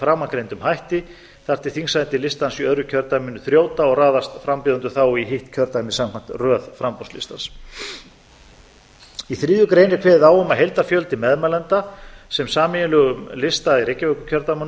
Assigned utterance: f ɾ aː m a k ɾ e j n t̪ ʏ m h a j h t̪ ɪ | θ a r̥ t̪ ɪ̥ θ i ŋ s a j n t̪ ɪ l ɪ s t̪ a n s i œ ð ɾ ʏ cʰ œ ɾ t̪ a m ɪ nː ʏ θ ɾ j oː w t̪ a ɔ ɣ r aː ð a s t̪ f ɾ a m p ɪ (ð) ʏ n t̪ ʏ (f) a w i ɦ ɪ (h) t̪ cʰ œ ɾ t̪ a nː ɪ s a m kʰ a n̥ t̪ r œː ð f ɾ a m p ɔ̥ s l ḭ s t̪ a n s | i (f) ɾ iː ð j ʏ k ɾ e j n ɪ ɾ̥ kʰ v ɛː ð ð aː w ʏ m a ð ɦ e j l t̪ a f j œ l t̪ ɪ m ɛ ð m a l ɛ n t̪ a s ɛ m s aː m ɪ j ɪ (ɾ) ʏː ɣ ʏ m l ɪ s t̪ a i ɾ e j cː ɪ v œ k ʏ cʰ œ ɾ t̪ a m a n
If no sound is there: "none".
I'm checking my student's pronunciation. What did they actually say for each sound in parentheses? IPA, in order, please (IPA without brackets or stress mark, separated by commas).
ð, θ, h, θ, l